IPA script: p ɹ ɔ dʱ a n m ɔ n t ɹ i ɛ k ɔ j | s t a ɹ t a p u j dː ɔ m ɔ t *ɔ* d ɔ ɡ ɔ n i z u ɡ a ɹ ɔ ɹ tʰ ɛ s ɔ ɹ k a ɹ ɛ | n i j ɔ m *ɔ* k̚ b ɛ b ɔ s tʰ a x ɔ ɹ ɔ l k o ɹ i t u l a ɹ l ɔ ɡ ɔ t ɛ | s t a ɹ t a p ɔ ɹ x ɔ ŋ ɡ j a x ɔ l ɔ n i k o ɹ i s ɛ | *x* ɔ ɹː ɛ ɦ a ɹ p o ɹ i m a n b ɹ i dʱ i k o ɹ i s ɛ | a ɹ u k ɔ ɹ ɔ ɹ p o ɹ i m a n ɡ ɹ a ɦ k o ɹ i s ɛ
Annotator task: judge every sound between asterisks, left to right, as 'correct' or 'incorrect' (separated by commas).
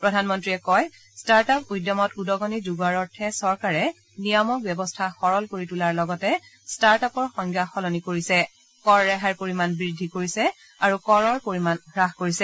incorrect, correct, incorrect